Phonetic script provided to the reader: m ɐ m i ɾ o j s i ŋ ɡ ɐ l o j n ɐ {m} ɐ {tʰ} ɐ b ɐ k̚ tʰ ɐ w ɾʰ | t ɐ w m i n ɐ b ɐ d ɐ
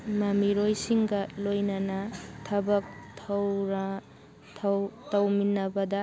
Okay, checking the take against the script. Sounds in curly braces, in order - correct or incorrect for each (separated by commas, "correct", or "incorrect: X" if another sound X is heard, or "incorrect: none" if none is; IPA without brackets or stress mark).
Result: incorrect: n, correct